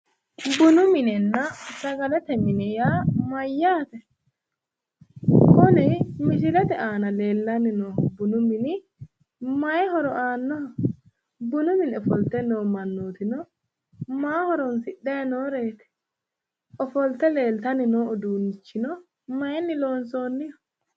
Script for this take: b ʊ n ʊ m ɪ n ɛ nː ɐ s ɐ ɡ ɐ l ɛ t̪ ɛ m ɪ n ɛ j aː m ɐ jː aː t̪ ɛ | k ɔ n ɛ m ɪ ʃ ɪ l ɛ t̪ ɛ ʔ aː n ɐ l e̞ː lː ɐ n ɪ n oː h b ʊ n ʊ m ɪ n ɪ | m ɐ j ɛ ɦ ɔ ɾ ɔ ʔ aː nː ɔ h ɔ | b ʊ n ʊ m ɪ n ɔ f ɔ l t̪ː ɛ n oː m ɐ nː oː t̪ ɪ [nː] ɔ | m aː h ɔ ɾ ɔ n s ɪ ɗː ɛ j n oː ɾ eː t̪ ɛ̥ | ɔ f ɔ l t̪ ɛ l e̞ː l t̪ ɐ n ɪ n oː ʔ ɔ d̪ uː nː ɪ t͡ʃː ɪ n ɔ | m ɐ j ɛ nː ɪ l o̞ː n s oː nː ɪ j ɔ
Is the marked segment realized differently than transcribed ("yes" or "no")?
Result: yes